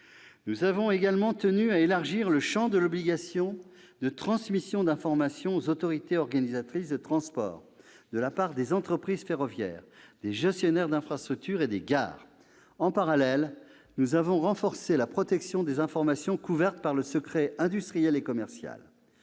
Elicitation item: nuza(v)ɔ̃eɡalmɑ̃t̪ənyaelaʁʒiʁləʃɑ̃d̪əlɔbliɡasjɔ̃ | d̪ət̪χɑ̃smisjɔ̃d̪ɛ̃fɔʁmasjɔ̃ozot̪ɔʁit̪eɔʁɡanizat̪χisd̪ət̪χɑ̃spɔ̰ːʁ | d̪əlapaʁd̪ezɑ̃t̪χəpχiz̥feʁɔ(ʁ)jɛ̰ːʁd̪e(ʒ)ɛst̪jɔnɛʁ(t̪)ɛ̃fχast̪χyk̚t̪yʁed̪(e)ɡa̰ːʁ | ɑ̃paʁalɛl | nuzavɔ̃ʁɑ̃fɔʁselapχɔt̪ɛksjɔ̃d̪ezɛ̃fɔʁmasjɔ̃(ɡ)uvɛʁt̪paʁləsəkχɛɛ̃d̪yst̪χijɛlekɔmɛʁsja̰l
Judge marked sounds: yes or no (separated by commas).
yes, no, yes, no, yes, no